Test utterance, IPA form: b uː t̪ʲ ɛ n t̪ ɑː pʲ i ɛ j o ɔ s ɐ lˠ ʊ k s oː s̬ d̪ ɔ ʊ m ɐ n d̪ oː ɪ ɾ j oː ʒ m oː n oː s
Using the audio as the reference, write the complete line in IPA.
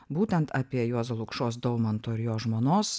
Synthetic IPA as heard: b uː t̪ʲ ɛ n t̪ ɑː pʲ i ɛ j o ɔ s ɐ lˠ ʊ k ʃ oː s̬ d̪ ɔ ʊ m ɐ n t̪ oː ɪ ɾ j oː ʒ m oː n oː s